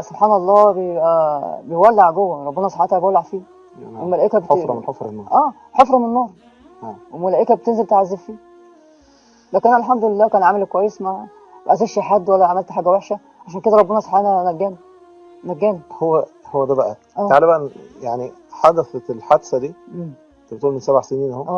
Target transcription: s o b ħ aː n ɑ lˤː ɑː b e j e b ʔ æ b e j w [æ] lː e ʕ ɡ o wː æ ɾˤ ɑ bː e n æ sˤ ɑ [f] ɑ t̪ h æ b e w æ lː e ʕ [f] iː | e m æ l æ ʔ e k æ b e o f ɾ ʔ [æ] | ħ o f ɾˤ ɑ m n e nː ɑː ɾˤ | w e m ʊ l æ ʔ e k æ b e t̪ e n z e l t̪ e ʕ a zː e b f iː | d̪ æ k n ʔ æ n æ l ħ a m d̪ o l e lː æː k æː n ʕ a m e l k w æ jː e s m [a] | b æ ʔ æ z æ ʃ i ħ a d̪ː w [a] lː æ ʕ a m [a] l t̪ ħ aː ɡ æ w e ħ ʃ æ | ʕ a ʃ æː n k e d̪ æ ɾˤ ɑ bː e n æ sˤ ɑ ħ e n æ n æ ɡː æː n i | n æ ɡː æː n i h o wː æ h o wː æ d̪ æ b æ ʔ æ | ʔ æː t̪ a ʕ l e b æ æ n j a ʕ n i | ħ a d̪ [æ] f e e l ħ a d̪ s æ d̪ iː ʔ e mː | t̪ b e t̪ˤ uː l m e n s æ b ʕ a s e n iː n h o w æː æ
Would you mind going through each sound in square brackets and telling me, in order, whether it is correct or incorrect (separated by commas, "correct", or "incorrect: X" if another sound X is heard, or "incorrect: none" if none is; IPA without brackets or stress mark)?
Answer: correct, incorrect: ħ, correct, incorrect: æː, incorrect: æ, incorrect: æ, incorrect: æ, correct